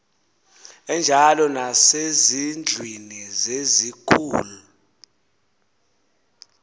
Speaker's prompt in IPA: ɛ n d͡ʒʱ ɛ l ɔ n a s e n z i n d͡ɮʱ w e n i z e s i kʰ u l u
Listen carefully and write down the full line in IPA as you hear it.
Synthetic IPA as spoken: ɛ n d͡ʒʱ a l ɔ n a s e z i n d͡ɮʱ w i n i z e z i kʰ uː l u